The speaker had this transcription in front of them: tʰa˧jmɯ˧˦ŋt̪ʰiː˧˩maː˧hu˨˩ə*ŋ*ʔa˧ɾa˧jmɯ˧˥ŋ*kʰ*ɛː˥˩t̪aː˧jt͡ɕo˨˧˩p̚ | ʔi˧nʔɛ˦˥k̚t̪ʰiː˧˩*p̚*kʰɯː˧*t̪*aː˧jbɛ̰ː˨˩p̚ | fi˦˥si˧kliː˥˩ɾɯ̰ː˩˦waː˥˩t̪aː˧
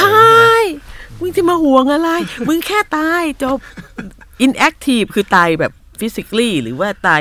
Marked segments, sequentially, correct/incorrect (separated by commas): correct, correct, correct, correct